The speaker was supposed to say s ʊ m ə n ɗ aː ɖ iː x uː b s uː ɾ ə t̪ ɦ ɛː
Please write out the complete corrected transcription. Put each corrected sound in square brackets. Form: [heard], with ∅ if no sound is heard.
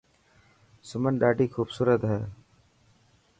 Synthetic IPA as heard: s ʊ m ə n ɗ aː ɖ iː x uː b s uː ɾ ə t̪ ɦ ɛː